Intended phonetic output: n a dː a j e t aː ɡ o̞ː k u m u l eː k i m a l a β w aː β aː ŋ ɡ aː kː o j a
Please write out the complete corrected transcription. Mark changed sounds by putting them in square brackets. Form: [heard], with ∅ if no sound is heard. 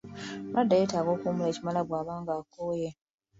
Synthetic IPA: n a dː a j e t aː ɡ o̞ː k u m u l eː [c] i m a l a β w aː β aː ŋ ɡ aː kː o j [e]